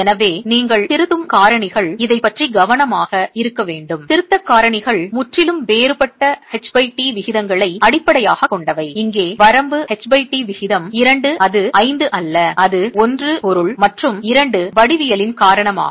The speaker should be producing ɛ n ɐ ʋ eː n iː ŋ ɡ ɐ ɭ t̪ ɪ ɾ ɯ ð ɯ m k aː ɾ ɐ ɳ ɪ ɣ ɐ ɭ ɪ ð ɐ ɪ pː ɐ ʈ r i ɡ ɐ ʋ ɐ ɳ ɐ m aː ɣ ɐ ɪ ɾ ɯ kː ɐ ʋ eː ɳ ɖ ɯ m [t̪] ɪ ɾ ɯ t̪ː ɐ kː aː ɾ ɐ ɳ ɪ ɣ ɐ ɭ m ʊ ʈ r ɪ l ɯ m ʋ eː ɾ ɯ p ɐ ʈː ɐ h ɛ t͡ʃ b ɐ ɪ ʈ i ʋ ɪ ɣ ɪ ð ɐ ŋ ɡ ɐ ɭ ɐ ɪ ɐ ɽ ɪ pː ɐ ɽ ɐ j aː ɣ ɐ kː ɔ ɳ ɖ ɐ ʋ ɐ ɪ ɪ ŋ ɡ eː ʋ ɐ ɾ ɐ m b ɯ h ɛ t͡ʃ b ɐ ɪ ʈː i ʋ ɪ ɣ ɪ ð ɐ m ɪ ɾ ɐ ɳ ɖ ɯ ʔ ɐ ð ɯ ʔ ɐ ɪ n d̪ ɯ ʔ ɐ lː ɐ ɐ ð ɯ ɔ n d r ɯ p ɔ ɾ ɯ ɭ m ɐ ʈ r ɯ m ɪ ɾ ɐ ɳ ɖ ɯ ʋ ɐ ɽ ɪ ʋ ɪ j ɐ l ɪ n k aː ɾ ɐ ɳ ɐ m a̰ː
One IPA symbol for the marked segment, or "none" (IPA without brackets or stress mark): t̪